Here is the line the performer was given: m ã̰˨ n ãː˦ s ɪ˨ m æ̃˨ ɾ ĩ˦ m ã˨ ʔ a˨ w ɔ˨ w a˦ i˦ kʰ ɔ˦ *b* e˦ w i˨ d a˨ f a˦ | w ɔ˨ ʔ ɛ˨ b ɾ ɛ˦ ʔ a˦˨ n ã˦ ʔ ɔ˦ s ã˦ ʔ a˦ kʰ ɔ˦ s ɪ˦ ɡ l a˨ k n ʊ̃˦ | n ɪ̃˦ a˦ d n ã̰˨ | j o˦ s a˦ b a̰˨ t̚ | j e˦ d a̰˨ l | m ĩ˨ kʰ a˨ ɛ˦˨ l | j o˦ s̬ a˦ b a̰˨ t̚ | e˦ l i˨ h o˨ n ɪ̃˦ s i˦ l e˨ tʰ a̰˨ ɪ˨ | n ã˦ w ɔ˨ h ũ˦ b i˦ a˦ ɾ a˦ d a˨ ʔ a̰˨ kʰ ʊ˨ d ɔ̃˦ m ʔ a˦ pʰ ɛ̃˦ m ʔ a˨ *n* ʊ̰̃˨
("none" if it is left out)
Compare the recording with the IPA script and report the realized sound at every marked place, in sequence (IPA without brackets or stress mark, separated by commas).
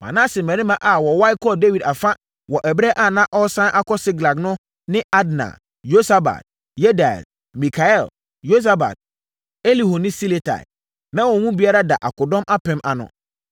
d, n